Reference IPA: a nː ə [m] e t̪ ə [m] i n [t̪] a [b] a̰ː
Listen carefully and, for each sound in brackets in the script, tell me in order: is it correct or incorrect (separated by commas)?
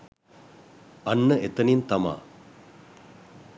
incorrect, incorrect, correct, incorrect